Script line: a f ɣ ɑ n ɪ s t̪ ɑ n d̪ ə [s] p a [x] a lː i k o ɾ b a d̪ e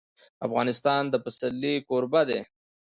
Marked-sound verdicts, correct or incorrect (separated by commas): incorrect, incorrect